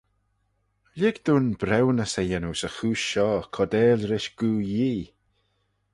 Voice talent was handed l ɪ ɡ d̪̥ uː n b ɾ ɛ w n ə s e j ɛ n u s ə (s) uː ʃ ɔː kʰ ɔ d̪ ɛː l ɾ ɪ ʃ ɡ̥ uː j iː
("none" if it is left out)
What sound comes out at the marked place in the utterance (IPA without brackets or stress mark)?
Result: x